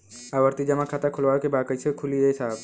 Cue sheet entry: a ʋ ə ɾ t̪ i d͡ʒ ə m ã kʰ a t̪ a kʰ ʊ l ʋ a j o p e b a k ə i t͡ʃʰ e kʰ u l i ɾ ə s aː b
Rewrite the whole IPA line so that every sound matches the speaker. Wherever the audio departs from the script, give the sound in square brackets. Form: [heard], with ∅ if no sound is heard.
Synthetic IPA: a ʋ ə ɾ t̪ i d͡ʒ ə m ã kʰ a t̪ a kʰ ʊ l ʋ a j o [k] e b a k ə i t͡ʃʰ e kʰ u l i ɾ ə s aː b